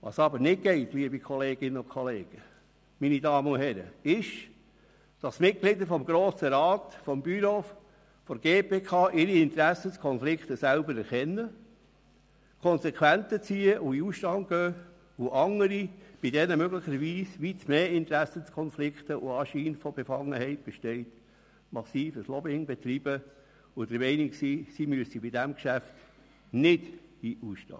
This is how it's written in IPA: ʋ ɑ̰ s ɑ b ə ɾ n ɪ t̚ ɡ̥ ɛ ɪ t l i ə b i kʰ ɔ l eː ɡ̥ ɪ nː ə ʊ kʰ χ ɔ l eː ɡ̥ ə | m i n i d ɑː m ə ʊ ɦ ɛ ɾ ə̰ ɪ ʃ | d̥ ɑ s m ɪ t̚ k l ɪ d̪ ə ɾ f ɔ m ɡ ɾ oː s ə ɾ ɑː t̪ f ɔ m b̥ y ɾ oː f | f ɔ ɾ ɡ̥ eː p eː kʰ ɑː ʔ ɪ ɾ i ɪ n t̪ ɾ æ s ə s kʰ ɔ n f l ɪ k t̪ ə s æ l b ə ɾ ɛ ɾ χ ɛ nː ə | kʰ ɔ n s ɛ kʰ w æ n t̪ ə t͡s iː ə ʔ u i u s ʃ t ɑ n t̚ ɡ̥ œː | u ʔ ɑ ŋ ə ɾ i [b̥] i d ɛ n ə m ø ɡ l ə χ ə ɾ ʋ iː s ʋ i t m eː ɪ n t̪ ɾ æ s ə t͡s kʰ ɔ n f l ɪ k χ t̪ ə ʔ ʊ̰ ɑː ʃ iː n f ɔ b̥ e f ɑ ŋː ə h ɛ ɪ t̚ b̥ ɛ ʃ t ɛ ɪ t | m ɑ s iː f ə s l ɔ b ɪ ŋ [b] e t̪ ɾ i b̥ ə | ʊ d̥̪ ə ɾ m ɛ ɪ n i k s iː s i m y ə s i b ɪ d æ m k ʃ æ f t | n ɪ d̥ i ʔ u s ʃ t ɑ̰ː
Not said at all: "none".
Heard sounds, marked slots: b̥, b

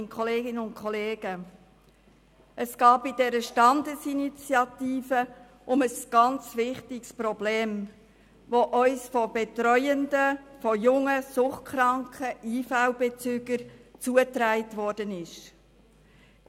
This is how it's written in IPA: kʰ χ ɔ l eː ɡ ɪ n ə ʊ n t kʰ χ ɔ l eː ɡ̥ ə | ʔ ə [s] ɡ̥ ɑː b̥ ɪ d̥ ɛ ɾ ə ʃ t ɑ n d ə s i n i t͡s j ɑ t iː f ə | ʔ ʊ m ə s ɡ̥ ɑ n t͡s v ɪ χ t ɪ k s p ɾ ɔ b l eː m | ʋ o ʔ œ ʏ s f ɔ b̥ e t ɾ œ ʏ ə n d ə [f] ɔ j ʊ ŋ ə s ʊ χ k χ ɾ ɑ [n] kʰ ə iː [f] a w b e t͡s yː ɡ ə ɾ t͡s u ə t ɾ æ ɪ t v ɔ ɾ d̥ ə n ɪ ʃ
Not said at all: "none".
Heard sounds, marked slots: s, f, ŋ, f

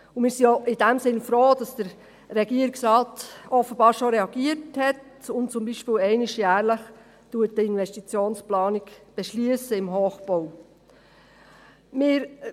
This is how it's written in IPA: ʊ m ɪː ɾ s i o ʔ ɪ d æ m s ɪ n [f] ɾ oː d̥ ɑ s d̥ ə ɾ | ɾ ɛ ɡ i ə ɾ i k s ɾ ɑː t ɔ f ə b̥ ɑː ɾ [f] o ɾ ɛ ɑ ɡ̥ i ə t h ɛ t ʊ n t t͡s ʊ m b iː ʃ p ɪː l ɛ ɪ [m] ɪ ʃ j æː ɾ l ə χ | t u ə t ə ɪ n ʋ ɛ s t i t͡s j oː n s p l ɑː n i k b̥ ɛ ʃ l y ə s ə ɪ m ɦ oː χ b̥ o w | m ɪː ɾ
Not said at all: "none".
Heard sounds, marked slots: f, ʃ, n

